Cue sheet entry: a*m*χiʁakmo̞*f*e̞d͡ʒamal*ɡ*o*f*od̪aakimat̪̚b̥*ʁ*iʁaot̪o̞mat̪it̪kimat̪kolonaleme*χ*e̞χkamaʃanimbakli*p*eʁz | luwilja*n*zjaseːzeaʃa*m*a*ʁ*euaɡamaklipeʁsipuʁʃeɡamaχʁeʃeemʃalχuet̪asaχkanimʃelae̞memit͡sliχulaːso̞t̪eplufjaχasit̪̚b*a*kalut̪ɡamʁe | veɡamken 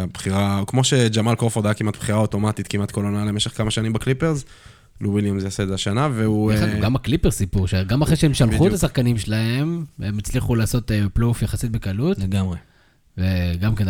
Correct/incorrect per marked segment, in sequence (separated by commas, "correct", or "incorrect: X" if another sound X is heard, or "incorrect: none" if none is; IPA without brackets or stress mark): incorrect: b, incorrect: ʃ, incorrect: k, correct, incorrect: χ, incorrect: ʃ, correct, incorrect: m, incorrect: n, incorrect: v, incorrect: e